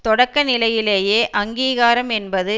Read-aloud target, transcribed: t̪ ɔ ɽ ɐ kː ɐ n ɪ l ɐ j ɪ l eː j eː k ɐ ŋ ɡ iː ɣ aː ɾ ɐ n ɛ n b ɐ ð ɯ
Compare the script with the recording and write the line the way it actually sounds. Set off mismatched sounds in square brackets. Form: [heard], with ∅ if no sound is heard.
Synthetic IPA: t̪ ɔ ɽ ɐ kː ɐ n ɪ l ɐ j ɪ l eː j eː [ʔ] ɐ ŋ ɡ iː ɣ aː ɾ ɐ [m] ɛ n b ɐ ð ɯ